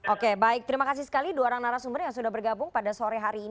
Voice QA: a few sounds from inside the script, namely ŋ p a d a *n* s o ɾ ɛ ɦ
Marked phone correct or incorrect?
incorrect: none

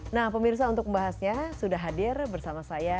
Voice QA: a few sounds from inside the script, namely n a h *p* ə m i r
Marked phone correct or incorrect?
correct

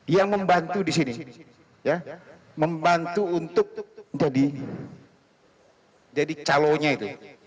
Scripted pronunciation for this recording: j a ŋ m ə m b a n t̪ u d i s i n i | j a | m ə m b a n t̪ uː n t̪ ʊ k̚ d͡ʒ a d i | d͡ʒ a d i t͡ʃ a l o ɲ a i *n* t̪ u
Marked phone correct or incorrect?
incorrect: none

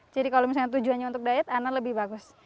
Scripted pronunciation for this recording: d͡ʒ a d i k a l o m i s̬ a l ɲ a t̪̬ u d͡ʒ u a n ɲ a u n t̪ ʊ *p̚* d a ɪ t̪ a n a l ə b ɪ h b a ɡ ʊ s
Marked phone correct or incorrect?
incorrect: k̚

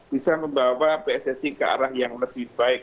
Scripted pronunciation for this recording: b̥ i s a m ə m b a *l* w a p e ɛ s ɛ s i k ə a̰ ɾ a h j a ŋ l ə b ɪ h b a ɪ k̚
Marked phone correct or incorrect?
incorrect: none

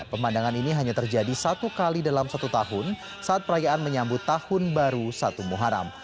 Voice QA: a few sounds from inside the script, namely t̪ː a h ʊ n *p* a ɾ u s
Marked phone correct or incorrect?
incorrect: b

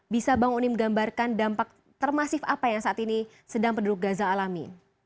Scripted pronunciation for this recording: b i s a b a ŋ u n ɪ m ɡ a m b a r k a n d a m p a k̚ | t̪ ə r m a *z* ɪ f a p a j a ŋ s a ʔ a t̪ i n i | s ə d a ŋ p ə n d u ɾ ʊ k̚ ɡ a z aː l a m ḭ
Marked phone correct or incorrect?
incorrect: s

